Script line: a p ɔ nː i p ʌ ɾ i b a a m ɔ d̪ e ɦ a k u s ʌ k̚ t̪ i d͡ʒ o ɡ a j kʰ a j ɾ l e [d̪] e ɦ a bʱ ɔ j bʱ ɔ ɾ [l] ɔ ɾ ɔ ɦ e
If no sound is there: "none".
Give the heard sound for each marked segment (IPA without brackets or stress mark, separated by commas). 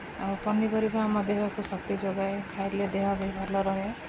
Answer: d̪, l